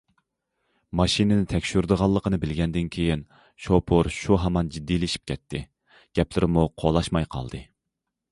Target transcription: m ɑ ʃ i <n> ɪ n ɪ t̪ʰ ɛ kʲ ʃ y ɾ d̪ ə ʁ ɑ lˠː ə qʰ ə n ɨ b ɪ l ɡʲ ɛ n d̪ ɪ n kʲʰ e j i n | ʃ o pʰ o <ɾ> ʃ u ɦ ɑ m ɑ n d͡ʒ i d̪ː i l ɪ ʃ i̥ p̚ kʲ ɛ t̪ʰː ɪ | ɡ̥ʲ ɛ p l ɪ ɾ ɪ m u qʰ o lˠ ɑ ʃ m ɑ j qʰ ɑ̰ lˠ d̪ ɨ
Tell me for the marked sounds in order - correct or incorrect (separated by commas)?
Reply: correct, correct